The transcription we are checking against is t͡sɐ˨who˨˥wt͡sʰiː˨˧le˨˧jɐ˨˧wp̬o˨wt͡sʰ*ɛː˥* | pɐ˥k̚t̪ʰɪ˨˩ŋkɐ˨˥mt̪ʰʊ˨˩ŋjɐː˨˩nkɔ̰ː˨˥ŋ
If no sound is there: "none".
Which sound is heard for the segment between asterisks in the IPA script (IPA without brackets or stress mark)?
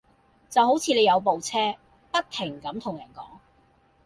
ɛː˥